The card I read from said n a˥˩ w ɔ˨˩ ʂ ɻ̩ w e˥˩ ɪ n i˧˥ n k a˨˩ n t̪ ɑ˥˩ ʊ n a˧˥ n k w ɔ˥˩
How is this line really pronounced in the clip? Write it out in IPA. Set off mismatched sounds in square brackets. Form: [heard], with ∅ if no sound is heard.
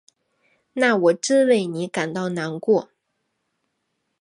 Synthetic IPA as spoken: n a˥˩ w ɔ˨˩ [ʈ͡ʂ] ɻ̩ w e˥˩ ɪ n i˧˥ [∅] k a˨˩ n t̪ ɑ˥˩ ʊ n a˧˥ n k w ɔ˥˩